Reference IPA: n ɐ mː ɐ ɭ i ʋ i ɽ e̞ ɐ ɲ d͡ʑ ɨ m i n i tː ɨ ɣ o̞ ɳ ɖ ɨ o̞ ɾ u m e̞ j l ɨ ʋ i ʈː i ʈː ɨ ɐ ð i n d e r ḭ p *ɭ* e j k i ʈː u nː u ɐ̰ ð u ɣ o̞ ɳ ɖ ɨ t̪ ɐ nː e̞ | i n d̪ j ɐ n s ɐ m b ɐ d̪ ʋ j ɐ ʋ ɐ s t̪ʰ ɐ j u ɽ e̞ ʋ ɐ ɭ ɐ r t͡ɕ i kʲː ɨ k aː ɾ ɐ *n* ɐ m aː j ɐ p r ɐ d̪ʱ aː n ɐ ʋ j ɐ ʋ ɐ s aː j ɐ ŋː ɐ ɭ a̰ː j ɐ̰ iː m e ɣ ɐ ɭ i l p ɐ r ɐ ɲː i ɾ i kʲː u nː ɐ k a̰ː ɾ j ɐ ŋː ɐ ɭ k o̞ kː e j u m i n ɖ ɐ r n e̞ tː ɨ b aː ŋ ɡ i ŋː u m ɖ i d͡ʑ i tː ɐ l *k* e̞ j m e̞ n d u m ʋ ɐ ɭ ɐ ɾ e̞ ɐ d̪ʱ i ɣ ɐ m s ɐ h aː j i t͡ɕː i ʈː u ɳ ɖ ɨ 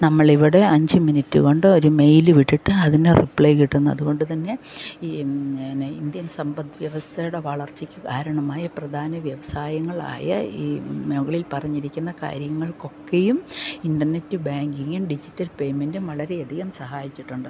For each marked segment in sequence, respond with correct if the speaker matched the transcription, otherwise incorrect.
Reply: correct, incorrect, incorrect

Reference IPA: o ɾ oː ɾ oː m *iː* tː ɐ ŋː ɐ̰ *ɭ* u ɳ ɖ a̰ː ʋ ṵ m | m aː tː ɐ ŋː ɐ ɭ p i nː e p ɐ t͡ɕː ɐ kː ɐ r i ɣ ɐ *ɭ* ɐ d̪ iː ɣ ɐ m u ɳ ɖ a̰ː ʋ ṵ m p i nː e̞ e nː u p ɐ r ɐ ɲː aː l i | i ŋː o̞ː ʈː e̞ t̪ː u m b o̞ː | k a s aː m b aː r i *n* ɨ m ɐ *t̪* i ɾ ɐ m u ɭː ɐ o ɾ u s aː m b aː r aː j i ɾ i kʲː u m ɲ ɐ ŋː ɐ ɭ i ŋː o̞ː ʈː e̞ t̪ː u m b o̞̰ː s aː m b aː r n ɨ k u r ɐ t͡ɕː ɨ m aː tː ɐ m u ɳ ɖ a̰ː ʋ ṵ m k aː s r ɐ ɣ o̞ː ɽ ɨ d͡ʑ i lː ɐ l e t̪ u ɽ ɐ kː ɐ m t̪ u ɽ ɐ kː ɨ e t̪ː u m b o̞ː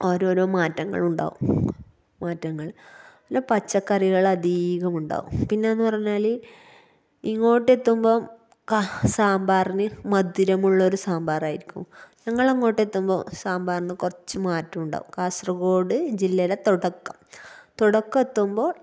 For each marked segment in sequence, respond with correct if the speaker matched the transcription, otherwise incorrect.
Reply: incorrect, correct, correct, correct, incorrect

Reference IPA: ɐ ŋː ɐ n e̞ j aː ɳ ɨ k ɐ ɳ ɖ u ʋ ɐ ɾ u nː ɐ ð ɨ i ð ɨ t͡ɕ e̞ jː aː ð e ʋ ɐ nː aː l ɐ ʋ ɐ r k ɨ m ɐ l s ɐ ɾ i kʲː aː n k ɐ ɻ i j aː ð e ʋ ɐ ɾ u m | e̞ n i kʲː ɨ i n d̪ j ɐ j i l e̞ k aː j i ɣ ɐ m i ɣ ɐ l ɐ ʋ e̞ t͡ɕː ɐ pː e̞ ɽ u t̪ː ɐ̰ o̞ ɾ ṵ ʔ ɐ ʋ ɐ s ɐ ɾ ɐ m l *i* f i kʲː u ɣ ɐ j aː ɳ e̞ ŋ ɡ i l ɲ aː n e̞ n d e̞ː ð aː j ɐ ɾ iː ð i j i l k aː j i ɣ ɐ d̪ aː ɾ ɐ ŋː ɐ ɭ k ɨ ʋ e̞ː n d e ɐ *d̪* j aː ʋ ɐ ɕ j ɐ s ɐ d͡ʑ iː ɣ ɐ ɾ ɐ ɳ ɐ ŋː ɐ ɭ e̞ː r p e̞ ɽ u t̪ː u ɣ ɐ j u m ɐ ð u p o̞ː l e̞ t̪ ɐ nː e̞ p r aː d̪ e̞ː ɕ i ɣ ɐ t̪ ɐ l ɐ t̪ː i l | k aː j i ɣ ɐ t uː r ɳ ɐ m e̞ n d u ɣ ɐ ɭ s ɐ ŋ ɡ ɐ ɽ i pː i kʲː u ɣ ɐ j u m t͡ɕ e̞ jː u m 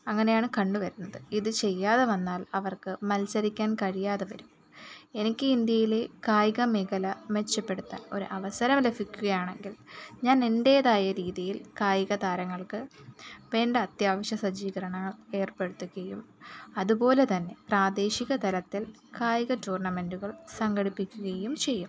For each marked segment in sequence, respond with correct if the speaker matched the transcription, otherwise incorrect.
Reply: incorrect, incorrect

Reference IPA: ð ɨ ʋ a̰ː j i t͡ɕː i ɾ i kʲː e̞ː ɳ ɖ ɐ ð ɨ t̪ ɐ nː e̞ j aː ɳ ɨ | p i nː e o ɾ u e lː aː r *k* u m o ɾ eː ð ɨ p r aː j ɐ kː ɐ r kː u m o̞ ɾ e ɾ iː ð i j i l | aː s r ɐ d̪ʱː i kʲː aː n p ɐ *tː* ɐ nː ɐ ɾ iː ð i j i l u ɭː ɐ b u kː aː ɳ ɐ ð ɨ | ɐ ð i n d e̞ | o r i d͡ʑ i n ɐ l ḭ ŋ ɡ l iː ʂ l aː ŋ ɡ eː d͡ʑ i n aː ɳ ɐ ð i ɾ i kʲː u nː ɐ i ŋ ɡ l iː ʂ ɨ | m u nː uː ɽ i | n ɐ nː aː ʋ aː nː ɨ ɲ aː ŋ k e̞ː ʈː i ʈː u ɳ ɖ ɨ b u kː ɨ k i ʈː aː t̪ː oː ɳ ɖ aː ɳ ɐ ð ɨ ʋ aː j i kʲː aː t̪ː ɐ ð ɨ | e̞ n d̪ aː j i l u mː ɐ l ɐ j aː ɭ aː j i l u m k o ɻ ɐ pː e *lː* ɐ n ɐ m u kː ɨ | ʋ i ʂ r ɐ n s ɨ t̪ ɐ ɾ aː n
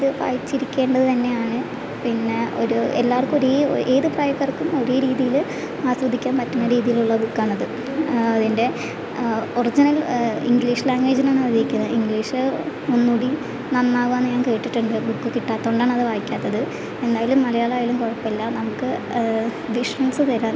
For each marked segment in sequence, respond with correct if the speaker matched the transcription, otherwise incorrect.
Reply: correct, correct, correct

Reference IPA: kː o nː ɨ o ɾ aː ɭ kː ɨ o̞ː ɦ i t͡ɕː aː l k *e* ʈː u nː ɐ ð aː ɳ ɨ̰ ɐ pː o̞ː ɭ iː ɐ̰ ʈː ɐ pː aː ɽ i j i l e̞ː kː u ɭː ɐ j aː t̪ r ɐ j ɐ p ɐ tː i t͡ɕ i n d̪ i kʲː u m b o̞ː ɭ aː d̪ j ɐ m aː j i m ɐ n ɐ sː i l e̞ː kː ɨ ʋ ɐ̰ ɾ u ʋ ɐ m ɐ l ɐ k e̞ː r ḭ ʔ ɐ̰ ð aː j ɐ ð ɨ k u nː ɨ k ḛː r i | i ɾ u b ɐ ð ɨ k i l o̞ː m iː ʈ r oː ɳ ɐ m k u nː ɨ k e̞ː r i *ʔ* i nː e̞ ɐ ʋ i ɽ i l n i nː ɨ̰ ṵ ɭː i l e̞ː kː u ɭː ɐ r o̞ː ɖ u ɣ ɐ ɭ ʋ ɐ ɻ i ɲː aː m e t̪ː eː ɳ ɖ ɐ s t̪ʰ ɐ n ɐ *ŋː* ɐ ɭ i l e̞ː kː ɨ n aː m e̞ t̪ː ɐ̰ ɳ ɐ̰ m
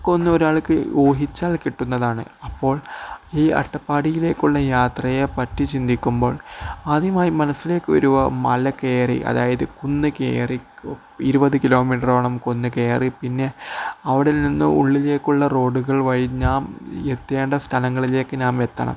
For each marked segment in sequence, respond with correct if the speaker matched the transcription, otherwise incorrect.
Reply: incorrect, incorrect, correct

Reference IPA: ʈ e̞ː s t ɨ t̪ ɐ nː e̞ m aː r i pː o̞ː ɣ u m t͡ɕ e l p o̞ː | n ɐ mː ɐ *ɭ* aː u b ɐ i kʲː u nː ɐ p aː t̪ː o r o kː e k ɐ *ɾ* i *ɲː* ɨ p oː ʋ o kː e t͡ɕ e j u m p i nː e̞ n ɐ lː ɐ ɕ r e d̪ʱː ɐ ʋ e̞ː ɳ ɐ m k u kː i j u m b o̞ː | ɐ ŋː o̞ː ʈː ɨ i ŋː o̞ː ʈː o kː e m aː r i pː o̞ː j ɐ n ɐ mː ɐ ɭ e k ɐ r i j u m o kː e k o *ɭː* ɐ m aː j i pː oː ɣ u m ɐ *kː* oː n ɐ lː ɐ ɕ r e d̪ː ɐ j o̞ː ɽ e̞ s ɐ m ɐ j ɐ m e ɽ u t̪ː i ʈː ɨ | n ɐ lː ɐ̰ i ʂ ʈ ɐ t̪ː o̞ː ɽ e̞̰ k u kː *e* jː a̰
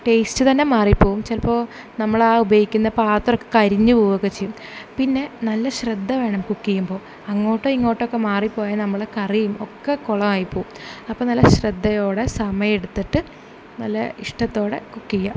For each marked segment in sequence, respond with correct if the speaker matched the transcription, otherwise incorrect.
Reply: correct, correct, correct, incorrect, incorrect, incorrect

